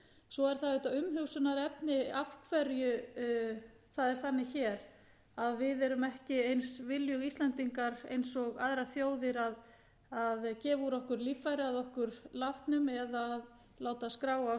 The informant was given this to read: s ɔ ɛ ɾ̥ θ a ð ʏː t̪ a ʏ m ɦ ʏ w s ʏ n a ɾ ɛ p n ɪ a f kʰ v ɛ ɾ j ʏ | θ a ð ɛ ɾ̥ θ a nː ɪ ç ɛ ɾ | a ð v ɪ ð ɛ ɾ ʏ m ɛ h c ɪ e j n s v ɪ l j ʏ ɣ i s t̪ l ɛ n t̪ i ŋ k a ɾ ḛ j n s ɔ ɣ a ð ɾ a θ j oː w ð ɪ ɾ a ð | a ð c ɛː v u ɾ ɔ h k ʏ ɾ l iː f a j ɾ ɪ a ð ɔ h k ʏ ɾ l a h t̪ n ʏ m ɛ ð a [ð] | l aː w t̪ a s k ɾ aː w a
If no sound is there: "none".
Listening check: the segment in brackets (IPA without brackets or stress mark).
ð